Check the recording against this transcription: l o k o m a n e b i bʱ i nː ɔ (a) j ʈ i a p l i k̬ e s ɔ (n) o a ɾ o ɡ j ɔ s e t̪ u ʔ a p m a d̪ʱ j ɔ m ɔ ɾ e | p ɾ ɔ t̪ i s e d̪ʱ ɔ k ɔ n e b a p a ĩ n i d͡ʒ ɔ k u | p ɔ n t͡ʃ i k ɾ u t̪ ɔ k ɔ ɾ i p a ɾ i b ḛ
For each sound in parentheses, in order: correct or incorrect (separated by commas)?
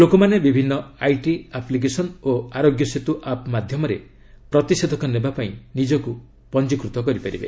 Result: correct, correct